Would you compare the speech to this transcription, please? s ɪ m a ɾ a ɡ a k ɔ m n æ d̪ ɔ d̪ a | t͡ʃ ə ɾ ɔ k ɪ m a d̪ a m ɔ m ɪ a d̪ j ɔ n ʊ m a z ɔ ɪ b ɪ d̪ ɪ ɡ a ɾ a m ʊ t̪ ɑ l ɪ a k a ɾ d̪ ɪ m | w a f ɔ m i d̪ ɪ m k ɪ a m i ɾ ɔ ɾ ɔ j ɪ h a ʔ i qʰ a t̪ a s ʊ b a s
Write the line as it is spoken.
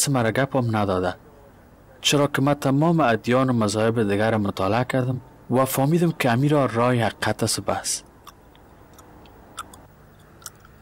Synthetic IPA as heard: s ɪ m a ɾ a ɡ a p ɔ m n a d̪ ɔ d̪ a | t͡ʃ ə ɾ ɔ k ɪ m a t̪ a m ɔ m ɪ a d̪ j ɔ n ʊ m a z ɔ ɪ b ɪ d̪ ɪ ɡ a ɾ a m ʊ t̪ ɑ l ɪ a k a ɾ d̪ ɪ m | w a f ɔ m i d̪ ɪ m k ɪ a m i ɾ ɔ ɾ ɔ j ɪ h a q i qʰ a t̪ a s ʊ b a s